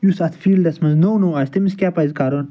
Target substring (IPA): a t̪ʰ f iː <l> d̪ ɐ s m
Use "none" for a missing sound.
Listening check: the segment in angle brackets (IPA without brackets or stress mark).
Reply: l